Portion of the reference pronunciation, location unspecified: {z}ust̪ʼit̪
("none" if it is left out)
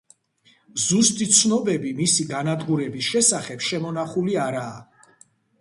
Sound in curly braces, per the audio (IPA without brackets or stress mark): z